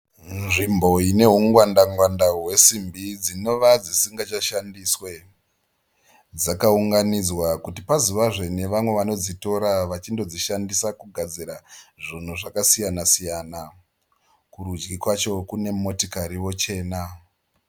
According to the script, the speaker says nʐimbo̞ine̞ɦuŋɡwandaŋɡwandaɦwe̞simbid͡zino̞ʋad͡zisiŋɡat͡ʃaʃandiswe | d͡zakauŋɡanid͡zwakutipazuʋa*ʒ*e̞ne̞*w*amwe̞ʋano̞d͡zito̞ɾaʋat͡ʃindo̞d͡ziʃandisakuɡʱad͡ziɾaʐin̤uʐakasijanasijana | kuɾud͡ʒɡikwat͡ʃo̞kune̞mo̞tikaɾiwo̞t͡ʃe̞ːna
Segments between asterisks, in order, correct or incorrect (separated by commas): incorrect, incorrect